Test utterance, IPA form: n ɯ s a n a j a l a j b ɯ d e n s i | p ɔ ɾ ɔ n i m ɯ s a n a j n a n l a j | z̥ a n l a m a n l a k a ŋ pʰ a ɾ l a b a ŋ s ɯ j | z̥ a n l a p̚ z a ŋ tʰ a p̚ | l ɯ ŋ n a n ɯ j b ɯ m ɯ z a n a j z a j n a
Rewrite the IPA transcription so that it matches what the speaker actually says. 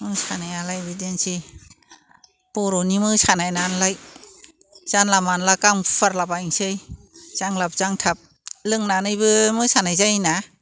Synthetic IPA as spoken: m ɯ s a n a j a l a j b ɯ d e n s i | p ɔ ɾ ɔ n i m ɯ s a n a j n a n l a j | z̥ a n l a m a n l a k a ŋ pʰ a ɾ l a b a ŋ s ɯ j | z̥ a ŋ l a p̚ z a ŋ tʰ a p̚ | l ɯ ŋ n a n ɯ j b ɯ m ɯ s a n a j z a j n a